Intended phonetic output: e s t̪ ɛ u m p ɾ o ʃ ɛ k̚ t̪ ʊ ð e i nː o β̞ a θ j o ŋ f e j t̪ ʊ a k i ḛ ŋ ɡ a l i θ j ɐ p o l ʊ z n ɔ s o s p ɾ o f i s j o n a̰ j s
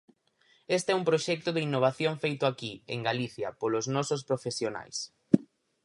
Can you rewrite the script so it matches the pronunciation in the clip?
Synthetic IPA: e s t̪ ɛ u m p ɾ o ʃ ɛ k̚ t̪ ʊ ð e i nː o β̞ a θ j o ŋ f e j t̪ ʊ a k i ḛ ŋ ɡ a l i θ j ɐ p o l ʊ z n ɔ s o s p ɾ o f e s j o n a̰ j s